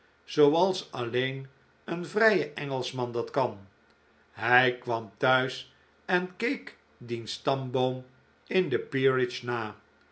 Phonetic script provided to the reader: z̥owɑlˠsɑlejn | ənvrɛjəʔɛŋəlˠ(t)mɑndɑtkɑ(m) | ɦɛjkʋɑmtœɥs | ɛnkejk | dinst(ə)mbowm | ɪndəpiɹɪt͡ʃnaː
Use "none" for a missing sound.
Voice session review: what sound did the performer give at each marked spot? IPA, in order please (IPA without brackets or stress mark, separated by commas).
s, n, ɑ